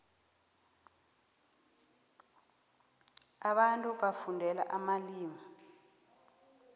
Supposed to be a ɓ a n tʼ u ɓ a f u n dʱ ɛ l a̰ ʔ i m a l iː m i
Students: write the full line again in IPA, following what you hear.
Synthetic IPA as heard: a ɓ a n tʼ u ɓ a f u n dʱ ɛ l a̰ ʔ a m a l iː m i

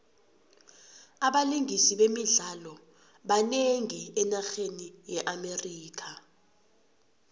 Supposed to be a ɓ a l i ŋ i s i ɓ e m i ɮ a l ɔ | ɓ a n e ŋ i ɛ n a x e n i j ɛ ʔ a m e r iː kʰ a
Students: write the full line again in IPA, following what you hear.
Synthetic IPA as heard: a ɓ a l i ŋ i s i ɓ e m i ɮ a l ɔ | ɓ a n e ŋ i ɛ n a x e n i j ɛ ʔ a m e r iː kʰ a

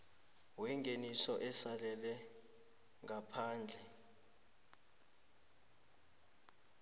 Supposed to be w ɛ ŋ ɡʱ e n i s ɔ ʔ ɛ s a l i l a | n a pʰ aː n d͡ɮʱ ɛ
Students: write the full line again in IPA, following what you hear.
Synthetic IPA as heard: w ɛ ŋ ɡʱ e n i s ɔ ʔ ɛ s a l ɛ l ɛ | ŋ a pʰ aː n d͡ɮʱ ɛ

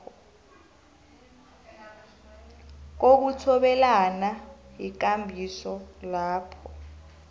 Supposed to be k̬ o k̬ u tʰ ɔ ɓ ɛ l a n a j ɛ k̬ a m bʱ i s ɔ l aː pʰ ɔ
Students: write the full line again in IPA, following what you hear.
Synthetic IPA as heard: k̬ o k̬ u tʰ ɔ ɓ ɛ l a n a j i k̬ a m bʱ i s ɔ l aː pʰ ɔ

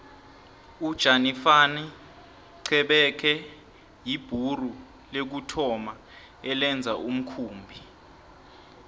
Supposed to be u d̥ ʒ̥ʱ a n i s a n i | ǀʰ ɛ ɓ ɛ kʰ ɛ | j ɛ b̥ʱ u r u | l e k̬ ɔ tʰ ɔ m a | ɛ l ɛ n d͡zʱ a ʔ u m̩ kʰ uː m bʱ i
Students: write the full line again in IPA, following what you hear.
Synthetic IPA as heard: u d̥ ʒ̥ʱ a n i f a n i | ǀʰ ɛ ɓ ɛ kʰ ɛ | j i b̥ʱ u r u | l e k̬ u tʰ ɔ m a | ɛ l ɛ n d͡zʱ a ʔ u m̩ kʰ uː m bʱ i

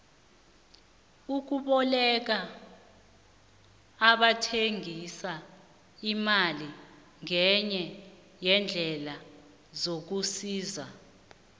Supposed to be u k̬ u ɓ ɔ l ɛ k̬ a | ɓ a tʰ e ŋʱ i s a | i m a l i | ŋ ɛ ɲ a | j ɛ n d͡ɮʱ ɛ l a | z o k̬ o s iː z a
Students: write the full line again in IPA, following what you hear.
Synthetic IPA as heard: u k̬ u ɓ ɔ l ɛ k̬ a | ɓ a tʰ e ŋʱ i s a | i m a l i | ŋ ɛ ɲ ɛ | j ɛ n d͡ɮʱ ɛ l a | z o k̬ u s iː z a

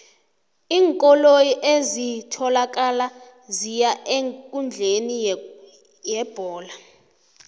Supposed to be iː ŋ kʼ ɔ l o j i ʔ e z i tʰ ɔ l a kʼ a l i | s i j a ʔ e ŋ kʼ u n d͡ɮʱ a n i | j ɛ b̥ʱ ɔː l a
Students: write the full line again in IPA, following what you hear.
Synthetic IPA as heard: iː ŋ kʼ ɔ l o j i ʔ e z i tʰ ɔ l a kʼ a l a | z i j a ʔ e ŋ kʼ u n d͡ɮʱ e n i | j ɛ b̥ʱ ɔː l a

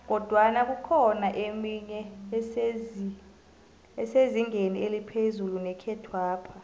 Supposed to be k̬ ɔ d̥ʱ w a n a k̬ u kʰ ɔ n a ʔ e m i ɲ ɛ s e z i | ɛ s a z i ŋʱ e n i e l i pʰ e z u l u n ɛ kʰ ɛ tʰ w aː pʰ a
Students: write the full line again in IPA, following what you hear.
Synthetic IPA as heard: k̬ ɔ d̥ʱ w a n a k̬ u kʰ ɔ n a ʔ e m i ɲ ɛ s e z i | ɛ s e z i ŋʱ e n i e l i pʰ e z u l u n ɛ kʰ ɛ tʰ w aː pʰ a

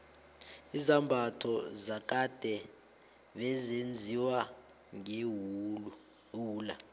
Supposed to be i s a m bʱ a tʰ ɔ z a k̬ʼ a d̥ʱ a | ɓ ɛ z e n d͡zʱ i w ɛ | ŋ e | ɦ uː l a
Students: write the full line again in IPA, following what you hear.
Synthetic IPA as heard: i z a m bʱ a tʰ ɔ z a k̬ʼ a d̥ʱ ɛ | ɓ ɛ z e n d͡zʱ i w a | ŋ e | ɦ uː l a

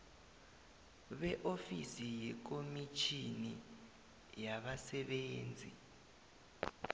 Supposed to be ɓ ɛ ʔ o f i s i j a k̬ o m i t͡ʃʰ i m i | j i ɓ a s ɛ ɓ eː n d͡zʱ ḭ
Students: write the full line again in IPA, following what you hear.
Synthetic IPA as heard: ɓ ɛ ʔ o f i s i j ɛ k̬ o m i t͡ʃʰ i n i | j a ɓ a s ɛ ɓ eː n d͡zʱ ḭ

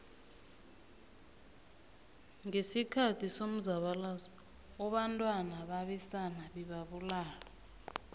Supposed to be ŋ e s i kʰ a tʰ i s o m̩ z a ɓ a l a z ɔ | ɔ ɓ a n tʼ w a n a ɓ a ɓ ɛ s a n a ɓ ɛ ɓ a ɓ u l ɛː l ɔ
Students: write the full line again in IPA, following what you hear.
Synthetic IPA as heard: ŋ e s i kʰ a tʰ i s o m̩ z a ɓ a l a z ɔ | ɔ ɓ a n tʼ w a n a ɓ a ɓ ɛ s a n a ɓ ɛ ɓ a ɓ u l aː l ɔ

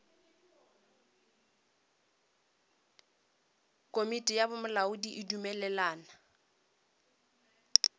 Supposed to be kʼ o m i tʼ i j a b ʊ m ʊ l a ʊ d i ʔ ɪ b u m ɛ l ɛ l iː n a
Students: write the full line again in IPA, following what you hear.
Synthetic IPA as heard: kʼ o m i tʼ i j a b ʊ m ʊ l a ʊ d i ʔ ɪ d u m ɛ l ɛ l aː n a

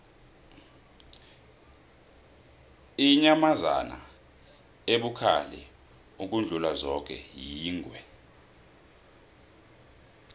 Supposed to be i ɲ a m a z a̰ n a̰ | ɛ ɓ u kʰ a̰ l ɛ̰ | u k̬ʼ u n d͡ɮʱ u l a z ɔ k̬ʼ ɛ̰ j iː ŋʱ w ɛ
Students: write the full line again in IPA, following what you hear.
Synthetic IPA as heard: i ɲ a m a z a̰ n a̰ | e ɓ u kʰ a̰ l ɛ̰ | u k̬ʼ u n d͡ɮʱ u l a z ɔ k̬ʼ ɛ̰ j iː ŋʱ w ɛ

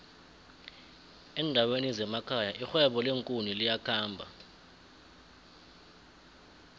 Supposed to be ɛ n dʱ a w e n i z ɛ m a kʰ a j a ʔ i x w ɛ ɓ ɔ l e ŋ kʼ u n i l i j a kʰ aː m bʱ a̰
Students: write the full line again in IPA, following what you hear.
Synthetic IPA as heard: ɛ n dʱ a w e n i z ɛ m a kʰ a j a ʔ i x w ɛ ɓ ɔ l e ŋ kʼ u n i l i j a kʰ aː m bʱ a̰

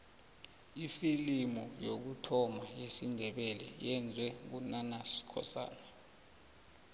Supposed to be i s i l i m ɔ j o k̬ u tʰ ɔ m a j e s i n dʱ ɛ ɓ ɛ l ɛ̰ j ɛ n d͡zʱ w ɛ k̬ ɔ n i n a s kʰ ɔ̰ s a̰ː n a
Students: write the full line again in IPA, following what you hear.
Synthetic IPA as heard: i f i l i m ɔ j o k̬ u tʰ ɔ m a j e s i n dʱ ɛ ɓ ɛ l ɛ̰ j ɛ n d͡zʱ w ɛ k̬ u n a n a s kʰ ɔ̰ s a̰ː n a

